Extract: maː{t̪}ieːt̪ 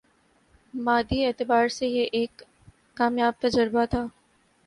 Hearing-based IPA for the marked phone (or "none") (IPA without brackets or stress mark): d̪